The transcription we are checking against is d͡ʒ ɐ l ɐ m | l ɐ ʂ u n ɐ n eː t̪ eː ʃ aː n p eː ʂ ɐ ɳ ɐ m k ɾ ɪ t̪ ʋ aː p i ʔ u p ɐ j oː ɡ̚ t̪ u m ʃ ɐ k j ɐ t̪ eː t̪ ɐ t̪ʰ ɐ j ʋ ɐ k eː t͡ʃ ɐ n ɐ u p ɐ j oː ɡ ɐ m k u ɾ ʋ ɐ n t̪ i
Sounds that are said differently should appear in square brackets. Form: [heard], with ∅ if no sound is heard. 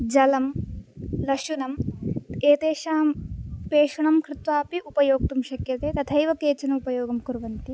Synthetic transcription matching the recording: d͡ʒ ɐ l ɐ m | l ɐ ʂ u n ɐ [m] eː t̪ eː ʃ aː [m] p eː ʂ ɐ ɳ ɐ m k ɾ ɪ t̪ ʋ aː p i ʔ u p ɐ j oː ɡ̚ t̪ u m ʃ ɐ k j ɐ t̪ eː t̪ ɐ t̪ʰ ɐ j ʋ ɐ k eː t͡ʃ ɐ n ɐ u p ɐ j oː ɡ ɐ m k u ɾ ʋ ɐ n t̪ i

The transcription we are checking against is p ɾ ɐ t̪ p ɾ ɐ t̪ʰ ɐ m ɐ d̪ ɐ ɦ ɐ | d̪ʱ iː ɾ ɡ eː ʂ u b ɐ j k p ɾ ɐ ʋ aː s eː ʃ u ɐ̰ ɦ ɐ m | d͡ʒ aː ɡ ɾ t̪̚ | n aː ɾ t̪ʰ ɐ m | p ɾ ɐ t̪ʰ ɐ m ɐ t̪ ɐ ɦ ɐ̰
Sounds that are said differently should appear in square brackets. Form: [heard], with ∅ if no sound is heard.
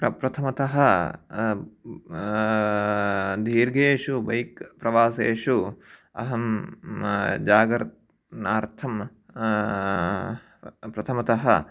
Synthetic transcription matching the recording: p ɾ ɐ [∅] p ɾ ɐ t̪ʰ ɐ m ɐ [t̪] ɐ ɦ ɐ | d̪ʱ iː ɾ ɡ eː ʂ u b ɐ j k p ɾ ɐ ʋ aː s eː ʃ u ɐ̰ ɦ ɐ m | d͡ʒ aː ɡ ɾ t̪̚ | n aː ɾ t̪ʰ ɐ m | p ɾ ɐ t̪ʰ ɐ m ɐ t̪ ɐ ɦ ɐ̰

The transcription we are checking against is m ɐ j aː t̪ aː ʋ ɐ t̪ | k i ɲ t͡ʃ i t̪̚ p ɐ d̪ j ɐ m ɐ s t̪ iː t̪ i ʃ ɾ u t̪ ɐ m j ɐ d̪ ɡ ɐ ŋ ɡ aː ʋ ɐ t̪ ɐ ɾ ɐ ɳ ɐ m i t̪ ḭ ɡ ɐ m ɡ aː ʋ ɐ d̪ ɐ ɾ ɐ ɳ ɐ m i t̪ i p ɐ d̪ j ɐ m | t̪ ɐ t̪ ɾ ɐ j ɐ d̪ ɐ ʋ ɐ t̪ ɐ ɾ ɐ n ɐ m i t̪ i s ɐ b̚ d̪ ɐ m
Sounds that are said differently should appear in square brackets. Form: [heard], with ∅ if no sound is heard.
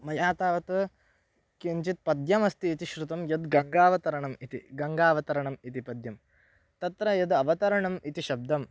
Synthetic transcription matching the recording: m ɐ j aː t̪ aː ʋ ɐ t̪ | k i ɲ t͡ʃ i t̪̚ p ɐ d̪ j ɐ m ɐ s t̪ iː t̪ i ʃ ɾ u t̪ ɐ m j ɐ d̪ ɡ ɐ ŋ ɡ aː ʋ ɐ t̪ ɐ ɾ ɐ ɳ ɐ m i t̪ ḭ ɡ ɐ [ŋ] ɡ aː ʋ ɐ [t̪] ɐ ɾ ɐ ɳ ɐ m i t̪ i p ɐ d̪ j ɐ m | t̪ ɐ t̪ ɾ ɐ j ɐ d̪ ɐ ʋ ɐ t̪ ɐ ɾ ɐ [ɳ] ɐ m i t̪ i [ʃ] ɐ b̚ d̪ ɐ m

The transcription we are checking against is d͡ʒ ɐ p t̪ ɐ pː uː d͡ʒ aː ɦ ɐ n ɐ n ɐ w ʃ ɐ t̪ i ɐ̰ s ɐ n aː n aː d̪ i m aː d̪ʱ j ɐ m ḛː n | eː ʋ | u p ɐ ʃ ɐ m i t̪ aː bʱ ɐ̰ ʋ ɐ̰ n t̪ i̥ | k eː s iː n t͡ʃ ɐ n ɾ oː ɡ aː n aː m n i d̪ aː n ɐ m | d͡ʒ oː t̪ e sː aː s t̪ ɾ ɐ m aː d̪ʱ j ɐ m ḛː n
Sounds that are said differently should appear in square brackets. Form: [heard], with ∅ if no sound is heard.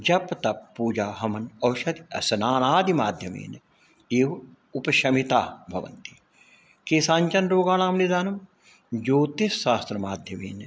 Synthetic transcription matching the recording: d͡ʒ ɐ p t̪ ɐ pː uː d͡ʒ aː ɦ ɐ [m] ɐ n ɐ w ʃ ɐ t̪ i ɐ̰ s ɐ n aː n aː d̪ i m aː d̪ʱ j ɐ m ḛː n | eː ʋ | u p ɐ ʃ ɐ m i t̪ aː bʱ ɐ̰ ʋ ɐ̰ n t̪ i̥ | k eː s [aː] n t͡ʃ ɐ n ɾ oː ɡ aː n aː m n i d̪ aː n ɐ m | d͡ʒ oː t̪ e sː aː s t̪ ɾ ɐ m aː d̪ʱ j ɐ m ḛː n

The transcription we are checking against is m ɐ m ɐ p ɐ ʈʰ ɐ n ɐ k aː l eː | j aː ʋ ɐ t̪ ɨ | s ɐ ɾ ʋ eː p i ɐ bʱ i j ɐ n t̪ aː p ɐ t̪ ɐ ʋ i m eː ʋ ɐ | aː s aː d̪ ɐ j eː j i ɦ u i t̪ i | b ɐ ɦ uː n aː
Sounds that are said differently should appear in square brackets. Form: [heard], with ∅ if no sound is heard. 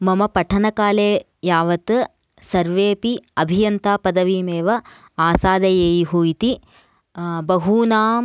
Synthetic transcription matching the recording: m ɐ m ɐ p ɐ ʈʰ ɐ n ɐ k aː l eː | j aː ʋ ɐ t̪ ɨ | s ɐ ɾ ʋ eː p i ɐ bʱ i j ɐ n t̪ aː p ɐ [d̪] ɐ ʋ i m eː ʋ ɐ | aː s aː d̪ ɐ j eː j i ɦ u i t̪ i | b ɐ ɦ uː n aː

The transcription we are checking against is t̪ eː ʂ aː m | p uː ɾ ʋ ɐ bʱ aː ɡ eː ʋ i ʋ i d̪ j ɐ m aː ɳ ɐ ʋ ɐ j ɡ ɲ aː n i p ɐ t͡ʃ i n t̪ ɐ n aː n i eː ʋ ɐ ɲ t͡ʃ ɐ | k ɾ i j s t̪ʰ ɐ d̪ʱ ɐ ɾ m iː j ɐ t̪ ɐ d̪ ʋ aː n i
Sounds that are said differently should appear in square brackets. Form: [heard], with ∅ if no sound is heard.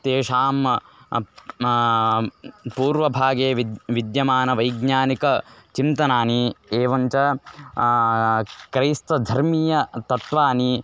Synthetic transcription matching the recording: t̪ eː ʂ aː m | p uː ɾ ʋ ɐ bʱ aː ɡ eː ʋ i ʋ i d̪ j ɐ m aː [n] ɐ ʋ ɐ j ɡ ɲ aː n i [k] ɐ t͡ʃ i n t̪ ɐ n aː n i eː ʋ ɐ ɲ t͡ʃ ɐ | k ɾ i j s [t̪] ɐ d̪ʱ ɐ ɾ m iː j ɐ t̪ ɐ [t̪] ʋ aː n i

